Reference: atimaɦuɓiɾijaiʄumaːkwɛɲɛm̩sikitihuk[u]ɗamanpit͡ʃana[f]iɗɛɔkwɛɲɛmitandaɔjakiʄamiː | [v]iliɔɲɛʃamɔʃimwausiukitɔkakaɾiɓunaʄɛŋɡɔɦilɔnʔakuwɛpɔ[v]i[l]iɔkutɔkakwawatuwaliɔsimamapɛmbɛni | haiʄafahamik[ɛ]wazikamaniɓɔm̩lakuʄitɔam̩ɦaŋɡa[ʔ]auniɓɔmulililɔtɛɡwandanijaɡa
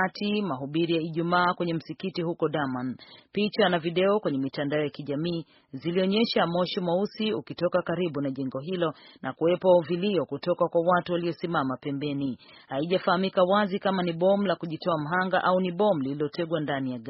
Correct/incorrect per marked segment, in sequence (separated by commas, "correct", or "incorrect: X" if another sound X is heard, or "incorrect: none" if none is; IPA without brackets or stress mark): incorrect: ɔ, incorrect: v, incorrect: z, correct, correct, incorrect: a, correct